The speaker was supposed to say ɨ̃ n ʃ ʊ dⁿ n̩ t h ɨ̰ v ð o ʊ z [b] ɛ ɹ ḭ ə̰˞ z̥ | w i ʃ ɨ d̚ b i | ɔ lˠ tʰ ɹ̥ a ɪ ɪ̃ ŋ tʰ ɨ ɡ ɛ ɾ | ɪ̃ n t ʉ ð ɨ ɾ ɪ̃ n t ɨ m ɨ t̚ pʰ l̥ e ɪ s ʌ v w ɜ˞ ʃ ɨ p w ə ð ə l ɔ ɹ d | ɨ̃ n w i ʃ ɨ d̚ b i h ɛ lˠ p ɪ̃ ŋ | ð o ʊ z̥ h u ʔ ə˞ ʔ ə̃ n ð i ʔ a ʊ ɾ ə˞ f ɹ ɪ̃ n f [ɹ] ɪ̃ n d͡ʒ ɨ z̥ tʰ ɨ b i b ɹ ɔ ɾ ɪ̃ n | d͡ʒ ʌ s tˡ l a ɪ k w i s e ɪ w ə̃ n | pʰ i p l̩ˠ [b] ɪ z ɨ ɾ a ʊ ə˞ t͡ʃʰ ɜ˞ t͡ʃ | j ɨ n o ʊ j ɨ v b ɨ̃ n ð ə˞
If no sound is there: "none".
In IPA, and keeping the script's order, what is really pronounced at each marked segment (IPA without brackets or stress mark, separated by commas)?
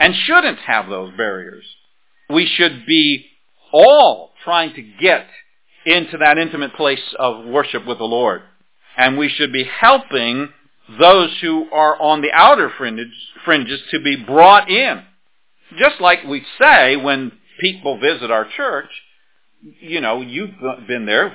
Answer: b, ɹ, v